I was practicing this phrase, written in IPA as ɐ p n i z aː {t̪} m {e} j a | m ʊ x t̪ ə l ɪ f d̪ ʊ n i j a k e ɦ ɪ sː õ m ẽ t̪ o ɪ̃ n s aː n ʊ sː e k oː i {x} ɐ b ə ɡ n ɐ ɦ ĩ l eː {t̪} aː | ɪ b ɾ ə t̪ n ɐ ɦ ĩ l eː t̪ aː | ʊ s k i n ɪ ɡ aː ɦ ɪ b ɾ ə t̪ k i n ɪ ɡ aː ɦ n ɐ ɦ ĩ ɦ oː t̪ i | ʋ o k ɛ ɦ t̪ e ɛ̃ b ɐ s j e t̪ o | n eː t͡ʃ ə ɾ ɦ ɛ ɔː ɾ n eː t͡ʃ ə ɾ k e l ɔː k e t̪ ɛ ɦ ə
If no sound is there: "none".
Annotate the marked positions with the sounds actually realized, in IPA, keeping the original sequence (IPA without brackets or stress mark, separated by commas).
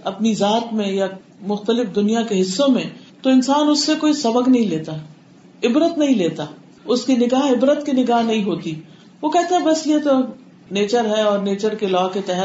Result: t̪, ẽ, s, t̪